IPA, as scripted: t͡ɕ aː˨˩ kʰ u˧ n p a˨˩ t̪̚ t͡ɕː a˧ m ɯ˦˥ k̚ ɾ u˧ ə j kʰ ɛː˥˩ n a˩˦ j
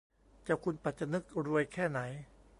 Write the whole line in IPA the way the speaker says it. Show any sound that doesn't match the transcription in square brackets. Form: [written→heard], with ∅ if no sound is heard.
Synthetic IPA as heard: t͡ɕ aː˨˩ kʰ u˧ n p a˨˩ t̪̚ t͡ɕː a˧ [m→n] ɯ˦˥ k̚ ɾ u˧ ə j kʰ ɛː˥˩ n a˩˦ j